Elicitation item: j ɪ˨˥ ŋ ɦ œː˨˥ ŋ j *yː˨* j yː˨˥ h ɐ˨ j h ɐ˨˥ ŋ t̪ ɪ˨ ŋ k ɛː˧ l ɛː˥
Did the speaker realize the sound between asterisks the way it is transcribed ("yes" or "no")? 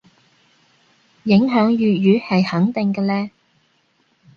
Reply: yes